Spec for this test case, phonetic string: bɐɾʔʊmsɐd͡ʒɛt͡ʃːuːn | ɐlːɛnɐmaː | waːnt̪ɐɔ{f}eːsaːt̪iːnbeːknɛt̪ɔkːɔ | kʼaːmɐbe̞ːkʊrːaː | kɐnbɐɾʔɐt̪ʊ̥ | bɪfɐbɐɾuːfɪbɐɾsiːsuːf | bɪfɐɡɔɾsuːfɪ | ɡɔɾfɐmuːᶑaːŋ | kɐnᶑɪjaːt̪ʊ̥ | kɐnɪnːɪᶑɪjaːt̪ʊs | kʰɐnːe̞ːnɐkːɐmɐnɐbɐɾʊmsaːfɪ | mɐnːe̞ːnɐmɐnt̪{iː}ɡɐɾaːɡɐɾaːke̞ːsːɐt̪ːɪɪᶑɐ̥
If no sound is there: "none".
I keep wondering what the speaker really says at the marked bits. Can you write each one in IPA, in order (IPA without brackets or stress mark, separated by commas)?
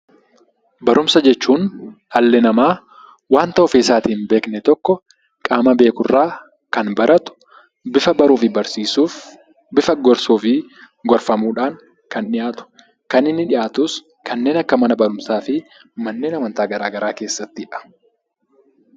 f, aː